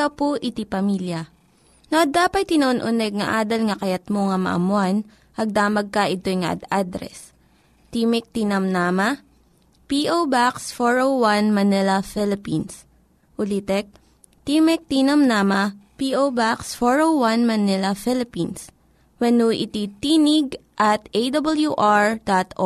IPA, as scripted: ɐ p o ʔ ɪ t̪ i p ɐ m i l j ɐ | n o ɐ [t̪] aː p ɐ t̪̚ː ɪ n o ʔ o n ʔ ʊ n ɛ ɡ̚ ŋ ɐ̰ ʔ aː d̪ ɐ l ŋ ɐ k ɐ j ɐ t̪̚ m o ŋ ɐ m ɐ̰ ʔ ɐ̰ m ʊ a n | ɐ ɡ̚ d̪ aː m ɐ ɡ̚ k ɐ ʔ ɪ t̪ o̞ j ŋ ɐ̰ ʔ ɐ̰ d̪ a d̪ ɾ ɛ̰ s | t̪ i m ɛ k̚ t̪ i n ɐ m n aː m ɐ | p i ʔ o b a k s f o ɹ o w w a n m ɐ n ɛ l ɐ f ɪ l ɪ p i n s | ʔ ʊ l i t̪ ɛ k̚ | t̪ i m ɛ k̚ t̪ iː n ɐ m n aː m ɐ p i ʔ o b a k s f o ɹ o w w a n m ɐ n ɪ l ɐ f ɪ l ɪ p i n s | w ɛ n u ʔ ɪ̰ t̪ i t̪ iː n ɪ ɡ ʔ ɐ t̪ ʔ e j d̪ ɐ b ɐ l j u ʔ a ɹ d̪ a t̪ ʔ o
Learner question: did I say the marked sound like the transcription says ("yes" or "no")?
no